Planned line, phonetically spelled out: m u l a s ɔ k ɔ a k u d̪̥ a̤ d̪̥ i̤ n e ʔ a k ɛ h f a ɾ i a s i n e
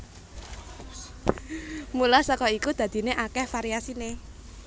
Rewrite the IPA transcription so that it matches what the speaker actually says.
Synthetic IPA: m u l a s ɔ k ɔ i k u d̪̥ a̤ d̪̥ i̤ n e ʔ a k ɛ h f a ɾ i a s i n e